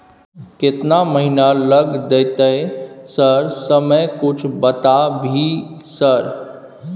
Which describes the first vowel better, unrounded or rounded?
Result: unrounded